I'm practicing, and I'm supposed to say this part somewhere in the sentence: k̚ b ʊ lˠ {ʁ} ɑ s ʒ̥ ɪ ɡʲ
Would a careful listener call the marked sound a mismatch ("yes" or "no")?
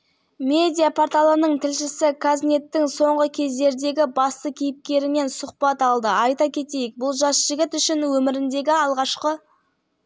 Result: yes